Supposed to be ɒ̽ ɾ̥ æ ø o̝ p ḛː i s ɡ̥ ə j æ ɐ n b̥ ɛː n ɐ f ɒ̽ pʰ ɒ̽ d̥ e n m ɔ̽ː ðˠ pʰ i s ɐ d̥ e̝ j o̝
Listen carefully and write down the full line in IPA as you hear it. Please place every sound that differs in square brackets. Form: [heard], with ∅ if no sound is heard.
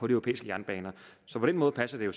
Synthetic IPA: ɒ̽ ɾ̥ [i] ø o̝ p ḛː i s ɡ̥ ə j æ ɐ n b̥ ɛː n ɐ [s] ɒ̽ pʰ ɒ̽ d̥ e n m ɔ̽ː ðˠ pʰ [æ] s ɐ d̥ e̝ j o̝